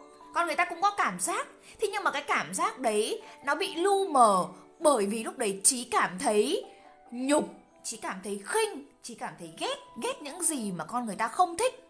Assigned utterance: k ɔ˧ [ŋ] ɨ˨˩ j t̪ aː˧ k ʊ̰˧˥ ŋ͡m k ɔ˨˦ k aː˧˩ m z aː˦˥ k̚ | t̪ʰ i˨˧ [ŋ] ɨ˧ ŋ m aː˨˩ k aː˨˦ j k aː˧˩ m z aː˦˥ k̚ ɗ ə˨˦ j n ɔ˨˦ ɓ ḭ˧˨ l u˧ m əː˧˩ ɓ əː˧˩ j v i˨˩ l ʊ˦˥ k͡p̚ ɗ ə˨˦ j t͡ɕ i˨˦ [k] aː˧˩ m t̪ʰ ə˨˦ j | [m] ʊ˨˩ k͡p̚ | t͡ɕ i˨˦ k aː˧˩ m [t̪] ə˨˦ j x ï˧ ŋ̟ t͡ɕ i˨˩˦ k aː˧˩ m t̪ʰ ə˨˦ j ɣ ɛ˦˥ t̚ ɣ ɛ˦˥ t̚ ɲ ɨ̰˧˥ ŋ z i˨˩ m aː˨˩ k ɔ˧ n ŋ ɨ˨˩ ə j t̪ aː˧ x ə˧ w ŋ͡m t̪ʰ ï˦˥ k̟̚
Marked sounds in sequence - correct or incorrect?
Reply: incorrect: n, incorrect: ɲ, correct, incorrect: ɲ, incorrect: t̪ʰ

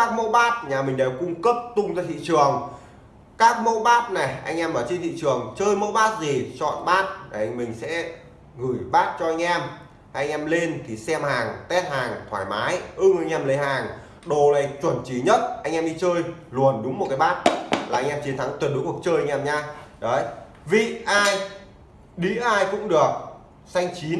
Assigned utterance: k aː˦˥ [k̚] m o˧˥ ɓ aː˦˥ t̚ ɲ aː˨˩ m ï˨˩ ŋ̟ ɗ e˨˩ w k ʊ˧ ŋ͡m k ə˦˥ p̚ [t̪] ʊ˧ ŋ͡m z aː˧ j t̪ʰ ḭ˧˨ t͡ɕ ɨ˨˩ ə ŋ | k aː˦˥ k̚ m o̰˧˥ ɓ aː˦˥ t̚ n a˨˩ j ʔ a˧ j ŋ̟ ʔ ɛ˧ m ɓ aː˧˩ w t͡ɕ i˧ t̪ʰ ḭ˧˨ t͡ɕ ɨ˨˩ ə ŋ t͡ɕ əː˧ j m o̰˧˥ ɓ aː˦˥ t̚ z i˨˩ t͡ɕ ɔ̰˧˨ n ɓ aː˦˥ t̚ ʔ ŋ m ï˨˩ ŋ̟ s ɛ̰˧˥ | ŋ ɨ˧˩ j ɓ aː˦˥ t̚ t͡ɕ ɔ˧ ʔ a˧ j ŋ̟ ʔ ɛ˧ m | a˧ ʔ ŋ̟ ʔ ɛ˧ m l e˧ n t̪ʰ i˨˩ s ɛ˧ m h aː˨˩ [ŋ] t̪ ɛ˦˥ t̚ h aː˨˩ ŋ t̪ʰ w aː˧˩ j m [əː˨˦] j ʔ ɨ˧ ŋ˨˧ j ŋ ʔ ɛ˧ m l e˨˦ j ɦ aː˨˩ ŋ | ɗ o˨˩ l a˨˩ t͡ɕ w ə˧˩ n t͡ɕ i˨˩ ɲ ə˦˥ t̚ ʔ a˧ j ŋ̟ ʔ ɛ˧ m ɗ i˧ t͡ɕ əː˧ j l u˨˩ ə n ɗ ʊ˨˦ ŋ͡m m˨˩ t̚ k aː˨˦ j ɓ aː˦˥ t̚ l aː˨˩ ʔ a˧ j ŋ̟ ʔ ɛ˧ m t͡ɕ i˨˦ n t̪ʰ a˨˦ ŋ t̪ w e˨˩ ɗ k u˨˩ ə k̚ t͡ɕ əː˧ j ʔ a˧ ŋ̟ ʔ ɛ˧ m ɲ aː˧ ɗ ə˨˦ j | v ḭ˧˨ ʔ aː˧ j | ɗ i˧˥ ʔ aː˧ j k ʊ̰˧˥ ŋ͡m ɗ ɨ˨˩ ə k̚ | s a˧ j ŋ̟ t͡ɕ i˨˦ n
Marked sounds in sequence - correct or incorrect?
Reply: correct, correct, correct, incorrect: aː˨˦

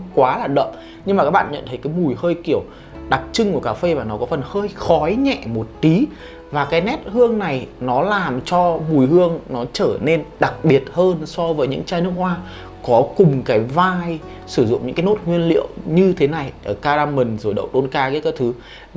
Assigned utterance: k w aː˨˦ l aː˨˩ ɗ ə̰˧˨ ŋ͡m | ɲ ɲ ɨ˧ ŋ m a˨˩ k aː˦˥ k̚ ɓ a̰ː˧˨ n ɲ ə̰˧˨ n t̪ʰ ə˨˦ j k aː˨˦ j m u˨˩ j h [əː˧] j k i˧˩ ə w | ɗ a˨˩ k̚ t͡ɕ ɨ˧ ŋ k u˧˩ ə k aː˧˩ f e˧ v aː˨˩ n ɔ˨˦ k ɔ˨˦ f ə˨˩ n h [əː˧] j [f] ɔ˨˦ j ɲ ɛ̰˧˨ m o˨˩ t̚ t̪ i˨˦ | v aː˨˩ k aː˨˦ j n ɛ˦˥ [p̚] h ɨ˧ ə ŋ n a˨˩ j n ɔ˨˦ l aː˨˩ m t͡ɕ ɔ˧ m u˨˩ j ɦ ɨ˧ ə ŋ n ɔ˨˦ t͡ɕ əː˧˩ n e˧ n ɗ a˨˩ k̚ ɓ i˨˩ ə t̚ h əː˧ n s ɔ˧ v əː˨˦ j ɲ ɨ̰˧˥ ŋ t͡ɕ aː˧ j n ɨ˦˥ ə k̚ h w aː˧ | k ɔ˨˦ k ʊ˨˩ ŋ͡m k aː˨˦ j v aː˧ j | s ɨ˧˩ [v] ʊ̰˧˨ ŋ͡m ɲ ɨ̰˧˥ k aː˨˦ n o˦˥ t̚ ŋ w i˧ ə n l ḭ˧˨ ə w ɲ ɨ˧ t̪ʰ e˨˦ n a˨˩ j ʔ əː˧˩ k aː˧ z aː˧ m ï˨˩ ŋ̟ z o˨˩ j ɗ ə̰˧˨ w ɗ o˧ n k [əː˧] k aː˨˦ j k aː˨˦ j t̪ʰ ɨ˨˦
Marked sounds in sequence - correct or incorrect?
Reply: correct, correct, incorrect: x, incorrect: t̚, incorrect: z, incorrect: aː˧

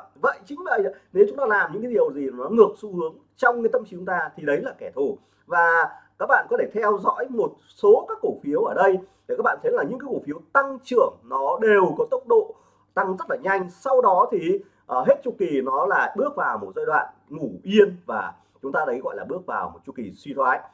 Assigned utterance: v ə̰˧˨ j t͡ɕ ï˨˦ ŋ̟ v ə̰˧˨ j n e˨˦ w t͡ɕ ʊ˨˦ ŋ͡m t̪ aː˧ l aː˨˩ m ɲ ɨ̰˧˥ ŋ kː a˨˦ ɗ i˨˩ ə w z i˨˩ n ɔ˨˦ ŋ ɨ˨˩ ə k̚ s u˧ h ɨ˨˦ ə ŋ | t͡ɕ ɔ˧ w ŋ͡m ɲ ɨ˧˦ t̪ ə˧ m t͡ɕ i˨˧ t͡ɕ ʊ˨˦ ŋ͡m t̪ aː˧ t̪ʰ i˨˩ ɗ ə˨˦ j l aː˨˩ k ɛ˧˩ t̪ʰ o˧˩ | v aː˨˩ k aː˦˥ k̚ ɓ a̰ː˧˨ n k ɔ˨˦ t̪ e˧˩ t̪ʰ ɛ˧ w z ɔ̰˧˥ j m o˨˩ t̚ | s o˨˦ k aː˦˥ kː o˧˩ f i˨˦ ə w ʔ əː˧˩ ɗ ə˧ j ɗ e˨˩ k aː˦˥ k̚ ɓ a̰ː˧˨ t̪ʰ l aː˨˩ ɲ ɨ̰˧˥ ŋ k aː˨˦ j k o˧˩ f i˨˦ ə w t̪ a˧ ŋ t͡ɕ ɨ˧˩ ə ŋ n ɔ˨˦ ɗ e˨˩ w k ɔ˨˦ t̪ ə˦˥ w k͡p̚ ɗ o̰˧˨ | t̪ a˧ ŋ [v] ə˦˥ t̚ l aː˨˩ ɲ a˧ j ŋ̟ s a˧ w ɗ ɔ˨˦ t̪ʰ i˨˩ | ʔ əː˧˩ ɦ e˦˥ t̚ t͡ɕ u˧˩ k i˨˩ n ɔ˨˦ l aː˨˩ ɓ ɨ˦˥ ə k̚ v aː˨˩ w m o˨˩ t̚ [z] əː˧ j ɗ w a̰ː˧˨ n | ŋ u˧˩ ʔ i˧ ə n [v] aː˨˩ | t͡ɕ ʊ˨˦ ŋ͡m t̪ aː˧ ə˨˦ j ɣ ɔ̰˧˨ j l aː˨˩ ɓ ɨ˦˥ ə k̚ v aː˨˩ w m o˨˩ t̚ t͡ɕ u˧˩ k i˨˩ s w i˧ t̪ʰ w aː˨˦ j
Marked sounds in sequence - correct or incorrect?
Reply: incorrect: z, correct, correct

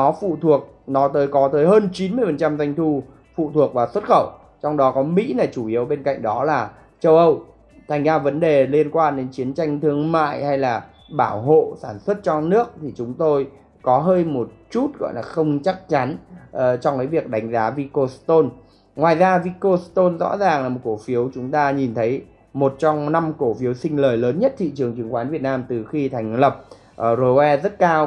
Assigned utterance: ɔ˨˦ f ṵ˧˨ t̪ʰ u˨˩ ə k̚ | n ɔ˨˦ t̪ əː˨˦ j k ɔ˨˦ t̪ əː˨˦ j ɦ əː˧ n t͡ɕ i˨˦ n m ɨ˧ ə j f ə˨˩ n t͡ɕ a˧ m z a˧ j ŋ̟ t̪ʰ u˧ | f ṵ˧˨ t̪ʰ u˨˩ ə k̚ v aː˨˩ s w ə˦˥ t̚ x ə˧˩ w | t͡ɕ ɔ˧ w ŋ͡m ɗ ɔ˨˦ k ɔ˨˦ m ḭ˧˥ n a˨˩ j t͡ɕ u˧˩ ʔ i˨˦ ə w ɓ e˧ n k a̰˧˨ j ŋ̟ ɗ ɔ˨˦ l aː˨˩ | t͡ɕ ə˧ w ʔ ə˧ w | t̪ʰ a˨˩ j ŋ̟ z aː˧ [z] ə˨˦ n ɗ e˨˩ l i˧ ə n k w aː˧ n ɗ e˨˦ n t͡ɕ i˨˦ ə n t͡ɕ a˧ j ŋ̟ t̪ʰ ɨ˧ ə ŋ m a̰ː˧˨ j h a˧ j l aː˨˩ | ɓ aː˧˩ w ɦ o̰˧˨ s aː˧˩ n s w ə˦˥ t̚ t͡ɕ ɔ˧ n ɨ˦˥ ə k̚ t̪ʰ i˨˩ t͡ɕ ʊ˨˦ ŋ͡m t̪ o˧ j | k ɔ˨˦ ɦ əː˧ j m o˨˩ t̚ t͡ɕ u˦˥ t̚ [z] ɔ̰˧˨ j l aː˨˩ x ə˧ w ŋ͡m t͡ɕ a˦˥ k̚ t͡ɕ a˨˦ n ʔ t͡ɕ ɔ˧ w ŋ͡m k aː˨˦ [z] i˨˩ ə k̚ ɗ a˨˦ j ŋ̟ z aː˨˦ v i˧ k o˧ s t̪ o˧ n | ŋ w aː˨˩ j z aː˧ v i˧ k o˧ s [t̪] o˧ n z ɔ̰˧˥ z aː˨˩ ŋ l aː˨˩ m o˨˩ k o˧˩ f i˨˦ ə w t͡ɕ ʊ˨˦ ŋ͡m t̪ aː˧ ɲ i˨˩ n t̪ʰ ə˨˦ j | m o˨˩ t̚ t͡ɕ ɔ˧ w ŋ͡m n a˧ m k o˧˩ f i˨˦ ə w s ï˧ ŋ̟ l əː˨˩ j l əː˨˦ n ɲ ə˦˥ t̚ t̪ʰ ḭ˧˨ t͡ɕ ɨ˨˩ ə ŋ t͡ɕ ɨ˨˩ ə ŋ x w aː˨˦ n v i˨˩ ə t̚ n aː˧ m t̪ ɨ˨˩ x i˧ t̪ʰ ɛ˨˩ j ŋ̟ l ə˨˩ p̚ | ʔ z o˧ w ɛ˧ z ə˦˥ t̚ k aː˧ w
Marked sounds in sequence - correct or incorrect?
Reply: incorrect: v, incorrect: ɣ, incorrect: v, correct

